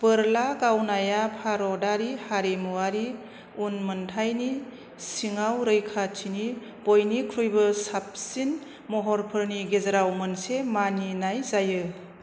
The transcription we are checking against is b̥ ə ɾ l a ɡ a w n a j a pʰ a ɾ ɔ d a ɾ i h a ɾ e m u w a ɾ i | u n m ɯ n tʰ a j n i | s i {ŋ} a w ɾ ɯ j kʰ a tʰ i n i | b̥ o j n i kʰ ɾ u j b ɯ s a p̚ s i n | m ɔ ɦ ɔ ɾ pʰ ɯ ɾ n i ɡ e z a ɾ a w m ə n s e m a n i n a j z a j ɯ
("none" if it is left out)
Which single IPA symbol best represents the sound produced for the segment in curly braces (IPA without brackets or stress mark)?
ŋ